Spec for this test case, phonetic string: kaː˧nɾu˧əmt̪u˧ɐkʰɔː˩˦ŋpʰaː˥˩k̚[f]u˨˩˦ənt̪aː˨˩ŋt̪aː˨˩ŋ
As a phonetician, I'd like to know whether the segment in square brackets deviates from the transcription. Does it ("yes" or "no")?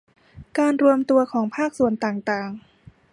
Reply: yes